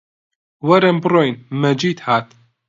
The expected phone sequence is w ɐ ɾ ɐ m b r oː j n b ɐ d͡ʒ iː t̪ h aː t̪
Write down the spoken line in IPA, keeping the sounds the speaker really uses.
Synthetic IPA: w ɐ ɾ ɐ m b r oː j n m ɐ d͡ʒ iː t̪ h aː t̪